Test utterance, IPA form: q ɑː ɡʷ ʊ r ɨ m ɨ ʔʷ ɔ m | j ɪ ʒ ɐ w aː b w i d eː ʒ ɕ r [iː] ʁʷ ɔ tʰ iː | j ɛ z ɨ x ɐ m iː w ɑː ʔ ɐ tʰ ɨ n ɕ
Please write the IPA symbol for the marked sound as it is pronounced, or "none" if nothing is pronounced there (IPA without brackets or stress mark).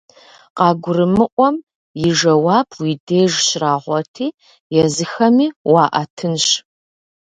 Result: aː